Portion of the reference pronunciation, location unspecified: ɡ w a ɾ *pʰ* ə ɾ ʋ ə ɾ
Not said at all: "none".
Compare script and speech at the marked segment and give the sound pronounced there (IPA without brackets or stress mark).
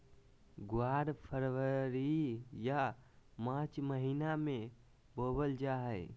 pʰ